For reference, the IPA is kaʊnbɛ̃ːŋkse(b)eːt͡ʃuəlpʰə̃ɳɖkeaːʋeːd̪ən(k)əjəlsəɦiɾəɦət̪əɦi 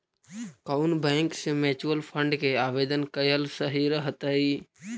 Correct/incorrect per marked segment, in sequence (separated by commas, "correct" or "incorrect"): incorrect, correct